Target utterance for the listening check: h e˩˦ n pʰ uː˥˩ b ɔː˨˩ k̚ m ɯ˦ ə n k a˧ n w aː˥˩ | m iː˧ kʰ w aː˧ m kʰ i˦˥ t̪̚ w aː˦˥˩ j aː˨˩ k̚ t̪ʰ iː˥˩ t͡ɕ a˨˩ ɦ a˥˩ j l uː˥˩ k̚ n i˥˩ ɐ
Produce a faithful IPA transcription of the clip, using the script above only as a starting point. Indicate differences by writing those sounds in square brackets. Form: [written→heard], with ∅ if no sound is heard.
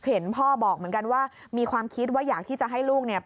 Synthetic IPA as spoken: h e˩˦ n pʰ [uː˥˩→ɔː˥˩] b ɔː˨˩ k̚ m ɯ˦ ə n k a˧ n w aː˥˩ | m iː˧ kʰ w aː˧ m kʰ i˦˥ t̪̚ w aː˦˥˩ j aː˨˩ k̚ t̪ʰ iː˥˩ t͡ɕ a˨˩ ɦ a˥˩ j l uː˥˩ k̚ n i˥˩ ɐ